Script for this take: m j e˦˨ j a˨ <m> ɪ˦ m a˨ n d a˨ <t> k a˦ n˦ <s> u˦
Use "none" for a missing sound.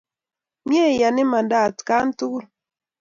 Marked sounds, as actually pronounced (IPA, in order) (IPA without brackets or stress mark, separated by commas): n, t, t